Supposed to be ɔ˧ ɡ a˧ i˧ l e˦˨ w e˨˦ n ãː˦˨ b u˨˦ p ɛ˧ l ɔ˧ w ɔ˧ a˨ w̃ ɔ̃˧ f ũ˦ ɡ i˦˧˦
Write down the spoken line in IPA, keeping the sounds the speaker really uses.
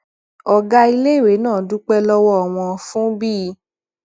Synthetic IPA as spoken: ɔ˧ ɡ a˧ i˧ l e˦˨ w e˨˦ n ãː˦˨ d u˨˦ k͡p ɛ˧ l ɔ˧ w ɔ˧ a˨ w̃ ɔ̃˧ f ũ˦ b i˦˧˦